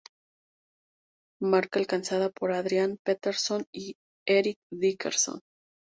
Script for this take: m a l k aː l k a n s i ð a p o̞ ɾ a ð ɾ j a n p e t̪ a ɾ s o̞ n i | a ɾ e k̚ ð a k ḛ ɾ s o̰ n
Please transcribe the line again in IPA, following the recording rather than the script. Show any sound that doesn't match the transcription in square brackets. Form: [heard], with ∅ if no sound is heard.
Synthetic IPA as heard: m a [ɾ] k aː l k a n s [a] ð a p o̞ ɾ a ð ɾ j a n p e t̪ [e] ɾ s o̞ n i | [e] ɾ [i] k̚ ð [i] k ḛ ɾ s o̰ n